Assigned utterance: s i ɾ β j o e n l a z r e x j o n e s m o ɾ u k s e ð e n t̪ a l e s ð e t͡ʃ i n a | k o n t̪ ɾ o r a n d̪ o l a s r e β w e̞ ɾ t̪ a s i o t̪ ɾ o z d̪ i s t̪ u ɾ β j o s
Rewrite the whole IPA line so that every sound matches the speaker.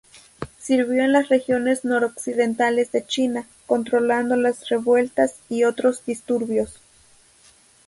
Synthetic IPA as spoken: s i ɾ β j o e n l a s r e x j o n e s n o ɾ o k s i ð e n t̪ a l e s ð e t͡ʃ i n a | k o n t̪ ɾ o l a n d̪ o l a s r e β w e̞ l t̪ a s i o t̪ ɾ o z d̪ i s t̪ u ɾ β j o s